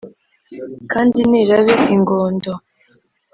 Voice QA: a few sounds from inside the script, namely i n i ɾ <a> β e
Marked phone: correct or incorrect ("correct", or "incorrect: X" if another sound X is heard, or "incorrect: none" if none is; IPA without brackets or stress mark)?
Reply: correct